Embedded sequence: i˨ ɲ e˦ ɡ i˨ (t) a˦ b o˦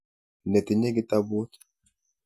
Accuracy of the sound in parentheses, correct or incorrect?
correct